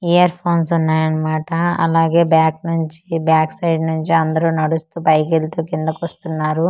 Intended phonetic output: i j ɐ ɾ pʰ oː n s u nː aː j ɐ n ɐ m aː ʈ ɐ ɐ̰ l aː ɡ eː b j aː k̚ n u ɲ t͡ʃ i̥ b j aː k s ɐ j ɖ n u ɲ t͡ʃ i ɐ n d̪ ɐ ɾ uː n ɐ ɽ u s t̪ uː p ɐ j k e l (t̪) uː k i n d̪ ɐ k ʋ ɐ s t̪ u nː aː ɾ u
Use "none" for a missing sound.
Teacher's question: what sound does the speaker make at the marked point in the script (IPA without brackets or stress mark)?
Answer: t̪